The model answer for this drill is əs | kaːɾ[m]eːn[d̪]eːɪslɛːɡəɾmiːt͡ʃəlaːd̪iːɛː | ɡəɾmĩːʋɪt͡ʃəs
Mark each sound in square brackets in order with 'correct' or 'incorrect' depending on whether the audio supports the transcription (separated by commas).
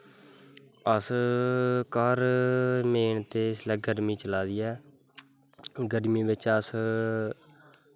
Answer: correct, incorrect